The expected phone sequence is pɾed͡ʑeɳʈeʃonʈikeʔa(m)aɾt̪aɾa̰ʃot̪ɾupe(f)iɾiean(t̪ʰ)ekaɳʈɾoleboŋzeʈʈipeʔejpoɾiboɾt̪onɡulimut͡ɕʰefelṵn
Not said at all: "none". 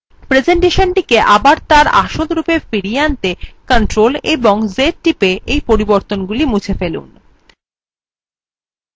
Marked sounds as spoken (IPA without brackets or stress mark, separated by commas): b, f, t̪